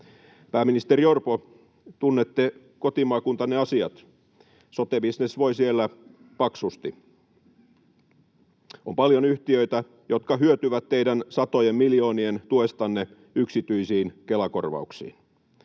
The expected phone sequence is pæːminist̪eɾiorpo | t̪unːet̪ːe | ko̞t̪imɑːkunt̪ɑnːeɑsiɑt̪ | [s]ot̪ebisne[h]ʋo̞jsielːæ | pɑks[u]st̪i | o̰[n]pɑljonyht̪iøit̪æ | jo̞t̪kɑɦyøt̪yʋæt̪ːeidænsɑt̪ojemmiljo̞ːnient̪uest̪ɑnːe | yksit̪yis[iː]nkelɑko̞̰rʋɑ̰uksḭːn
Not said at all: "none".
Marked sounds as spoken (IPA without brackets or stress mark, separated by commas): s, s, u, m, iː